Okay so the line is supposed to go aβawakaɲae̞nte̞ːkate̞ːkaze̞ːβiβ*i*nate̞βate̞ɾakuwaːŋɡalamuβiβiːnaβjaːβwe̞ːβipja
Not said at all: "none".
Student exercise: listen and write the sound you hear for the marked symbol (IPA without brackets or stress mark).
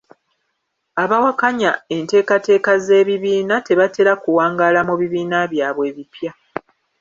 iː